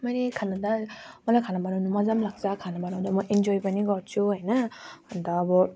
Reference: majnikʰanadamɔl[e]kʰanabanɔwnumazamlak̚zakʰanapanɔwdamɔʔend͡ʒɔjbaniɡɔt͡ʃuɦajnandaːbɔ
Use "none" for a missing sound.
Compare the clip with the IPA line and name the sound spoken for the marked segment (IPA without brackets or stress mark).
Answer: a